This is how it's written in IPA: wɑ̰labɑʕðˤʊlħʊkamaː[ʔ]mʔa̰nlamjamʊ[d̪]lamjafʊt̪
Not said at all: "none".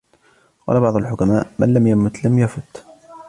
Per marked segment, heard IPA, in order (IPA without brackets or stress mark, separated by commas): ʔ, t̪